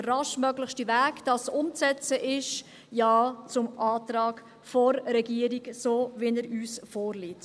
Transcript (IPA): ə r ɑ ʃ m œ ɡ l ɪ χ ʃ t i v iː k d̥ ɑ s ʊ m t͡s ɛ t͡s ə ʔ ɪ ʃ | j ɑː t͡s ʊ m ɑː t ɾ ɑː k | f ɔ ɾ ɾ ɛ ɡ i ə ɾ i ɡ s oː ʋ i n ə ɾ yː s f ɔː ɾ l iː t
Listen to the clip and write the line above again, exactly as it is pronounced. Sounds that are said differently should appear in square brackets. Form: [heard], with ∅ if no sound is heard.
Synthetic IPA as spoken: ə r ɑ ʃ m œ ɡ l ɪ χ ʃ t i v [æː] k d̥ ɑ s ʊ m t͡s ɛ t͡s ə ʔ ɪ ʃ | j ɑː t͡s ʊ m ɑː t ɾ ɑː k | f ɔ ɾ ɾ ɛ ɡ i ə ɾ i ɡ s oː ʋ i n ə ɾ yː s f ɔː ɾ l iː t